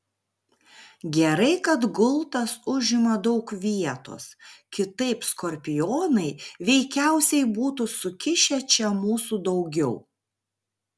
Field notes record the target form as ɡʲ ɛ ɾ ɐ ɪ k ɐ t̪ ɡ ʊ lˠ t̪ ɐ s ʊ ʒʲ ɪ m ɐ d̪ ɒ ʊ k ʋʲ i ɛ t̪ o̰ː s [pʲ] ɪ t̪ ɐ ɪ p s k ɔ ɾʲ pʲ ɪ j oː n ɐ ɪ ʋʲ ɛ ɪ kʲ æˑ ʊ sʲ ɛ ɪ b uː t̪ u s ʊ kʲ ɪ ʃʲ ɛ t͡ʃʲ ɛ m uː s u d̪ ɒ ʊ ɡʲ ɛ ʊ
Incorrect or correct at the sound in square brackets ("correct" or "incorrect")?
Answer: incorrect